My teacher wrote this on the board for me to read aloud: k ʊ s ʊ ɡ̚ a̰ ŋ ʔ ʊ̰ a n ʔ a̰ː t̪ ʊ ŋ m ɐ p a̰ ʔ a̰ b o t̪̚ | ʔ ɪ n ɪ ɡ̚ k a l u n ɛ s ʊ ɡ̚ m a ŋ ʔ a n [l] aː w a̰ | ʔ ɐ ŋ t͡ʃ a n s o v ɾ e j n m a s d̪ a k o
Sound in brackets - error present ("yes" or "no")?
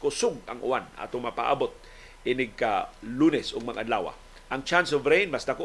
no